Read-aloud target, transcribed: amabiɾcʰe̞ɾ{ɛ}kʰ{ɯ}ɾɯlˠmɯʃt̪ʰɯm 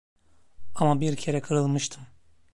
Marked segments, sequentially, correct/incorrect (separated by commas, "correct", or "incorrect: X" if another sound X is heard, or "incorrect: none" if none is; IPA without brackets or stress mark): correct, correct